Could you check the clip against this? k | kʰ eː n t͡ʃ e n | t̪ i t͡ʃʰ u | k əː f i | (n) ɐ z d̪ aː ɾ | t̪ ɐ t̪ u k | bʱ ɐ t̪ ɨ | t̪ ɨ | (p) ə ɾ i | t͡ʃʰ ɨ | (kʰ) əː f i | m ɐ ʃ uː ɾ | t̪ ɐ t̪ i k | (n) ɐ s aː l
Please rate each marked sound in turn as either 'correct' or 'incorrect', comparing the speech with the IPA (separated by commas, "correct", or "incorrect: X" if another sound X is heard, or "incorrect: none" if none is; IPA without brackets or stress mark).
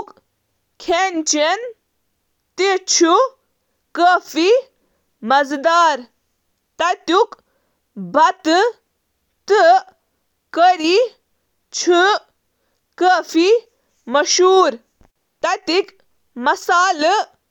incorrect: m, incorrect: k, incorrect: k, incorrect: m